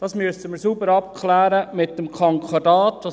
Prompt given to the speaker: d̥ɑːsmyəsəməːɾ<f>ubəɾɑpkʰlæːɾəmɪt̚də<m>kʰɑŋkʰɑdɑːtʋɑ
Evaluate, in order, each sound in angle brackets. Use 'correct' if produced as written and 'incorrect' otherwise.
incorrect: s, correct

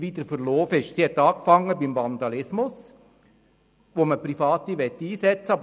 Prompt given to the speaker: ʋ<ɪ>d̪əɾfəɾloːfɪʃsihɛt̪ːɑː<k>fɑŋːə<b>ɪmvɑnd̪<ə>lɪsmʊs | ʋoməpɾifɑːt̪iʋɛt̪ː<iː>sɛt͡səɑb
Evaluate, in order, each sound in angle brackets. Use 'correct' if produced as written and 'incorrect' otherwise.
incorrect: i, correct, correct, incorrect: ɑ, correct

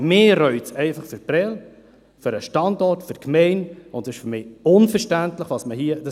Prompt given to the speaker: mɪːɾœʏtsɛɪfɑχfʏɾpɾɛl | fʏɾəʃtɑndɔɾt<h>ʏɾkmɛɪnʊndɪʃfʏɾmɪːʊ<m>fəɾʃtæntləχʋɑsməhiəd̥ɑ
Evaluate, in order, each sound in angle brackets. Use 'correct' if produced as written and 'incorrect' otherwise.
incorrect: f, incorrect: n

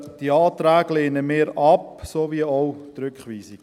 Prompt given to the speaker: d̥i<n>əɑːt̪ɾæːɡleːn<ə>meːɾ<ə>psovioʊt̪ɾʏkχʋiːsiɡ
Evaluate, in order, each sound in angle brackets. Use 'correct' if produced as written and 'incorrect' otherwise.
incorrect: none, correct, incorrect: ɑ

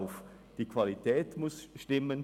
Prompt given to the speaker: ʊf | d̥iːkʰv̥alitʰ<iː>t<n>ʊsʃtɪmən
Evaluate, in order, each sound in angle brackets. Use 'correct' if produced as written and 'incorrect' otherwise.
incorrect: ɛː, incorrect: m

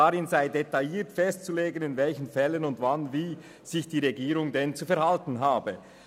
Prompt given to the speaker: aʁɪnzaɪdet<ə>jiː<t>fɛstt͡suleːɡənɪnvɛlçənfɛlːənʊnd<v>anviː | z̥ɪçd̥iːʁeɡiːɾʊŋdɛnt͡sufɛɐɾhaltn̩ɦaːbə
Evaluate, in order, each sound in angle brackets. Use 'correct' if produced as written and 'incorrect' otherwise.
incorrect: a, correct, correct

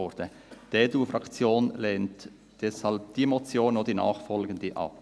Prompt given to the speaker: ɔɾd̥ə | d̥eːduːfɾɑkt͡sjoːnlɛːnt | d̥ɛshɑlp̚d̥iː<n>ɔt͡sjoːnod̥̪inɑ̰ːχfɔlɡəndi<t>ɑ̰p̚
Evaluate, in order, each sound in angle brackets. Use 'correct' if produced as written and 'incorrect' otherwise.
incorrect: m, incorrect: ʔ

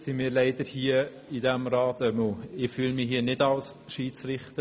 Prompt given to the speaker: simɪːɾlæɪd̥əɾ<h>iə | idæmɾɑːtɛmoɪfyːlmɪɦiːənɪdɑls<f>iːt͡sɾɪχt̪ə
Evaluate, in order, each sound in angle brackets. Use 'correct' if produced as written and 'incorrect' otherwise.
correct, incorrect: ʃ

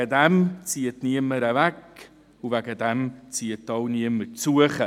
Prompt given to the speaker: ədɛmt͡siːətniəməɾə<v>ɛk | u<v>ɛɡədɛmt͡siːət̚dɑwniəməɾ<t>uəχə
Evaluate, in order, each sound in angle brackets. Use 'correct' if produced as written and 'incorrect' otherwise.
correct, correct, incorrect: t͡s

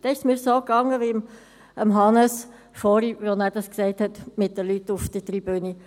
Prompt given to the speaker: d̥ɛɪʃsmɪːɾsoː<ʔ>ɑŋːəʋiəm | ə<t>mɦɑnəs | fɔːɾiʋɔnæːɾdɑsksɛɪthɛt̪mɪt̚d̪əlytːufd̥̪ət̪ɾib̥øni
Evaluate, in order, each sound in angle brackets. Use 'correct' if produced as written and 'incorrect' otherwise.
incorrect: k, incorrect: none

